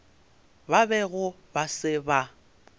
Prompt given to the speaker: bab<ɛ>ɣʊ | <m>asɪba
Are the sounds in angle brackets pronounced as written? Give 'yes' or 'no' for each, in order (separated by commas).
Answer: yes, no